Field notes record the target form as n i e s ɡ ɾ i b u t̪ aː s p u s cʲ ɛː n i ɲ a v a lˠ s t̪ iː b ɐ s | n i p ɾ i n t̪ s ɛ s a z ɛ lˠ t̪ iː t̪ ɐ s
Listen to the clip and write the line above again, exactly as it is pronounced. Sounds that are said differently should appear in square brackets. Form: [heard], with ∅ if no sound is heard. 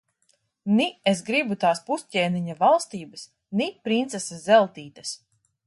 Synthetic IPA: n i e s ɡ ɾ i b u t̪ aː s p u s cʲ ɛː n i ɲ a v a lˠ s t̪ iː b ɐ s | n i p ɾ i n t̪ s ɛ s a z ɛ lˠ t̪ iː t̪ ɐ s